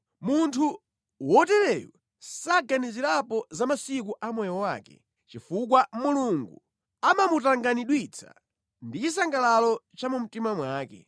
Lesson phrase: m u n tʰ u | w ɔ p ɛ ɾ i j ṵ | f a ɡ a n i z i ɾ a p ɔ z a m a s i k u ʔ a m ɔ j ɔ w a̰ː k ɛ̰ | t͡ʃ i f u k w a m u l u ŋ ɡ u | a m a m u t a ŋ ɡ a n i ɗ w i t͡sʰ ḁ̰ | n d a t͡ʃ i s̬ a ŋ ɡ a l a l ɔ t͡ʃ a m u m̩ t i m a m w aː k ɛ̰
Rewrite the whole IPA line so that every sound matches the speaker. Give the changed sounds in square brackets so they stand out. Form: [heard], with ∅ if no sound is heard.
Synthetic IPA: m u n tʰ u | w ɔ [t] ɛ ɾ [ɛ] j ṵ | [s] a ɡ a n i z i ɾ a p ɔ z a m a s i k u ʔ a m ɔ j ɔ w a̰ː k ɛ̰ | t͡ʃ i f u k w a m u l u ŋ ɡ u | a m a m u t a ŋ ɡ a n i ɗ w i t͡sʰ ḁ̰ | n d [i] t͡ʃ i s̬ a ŋ ɡ a l a l ɔ t͡ʃ a m u m̩ t i m a m w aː k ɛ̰